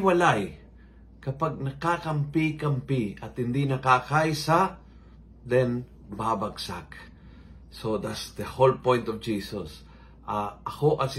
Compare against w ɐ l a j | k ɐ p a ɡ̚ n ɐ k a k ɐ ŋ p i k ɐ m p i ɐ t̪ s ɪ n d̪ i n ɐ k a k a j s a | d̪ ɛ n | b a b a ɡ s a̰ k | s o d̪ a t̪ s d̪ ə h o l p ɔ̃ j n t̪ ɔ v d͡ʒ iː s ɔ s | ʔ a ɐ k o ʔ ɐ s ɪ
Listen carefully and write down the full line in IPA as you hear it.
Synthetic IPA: w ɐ l a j | k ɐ p a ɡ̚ n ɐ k a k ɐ m p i k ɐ m p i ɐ t̪ h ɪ n d̪ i n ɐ k a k a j s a | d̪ ɛ n | b a b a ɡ s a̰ k | s o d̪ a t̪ s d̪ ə h o l p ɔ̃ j n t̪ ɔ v d͡ʒ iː s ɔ s | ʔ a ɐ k o ʔ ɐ s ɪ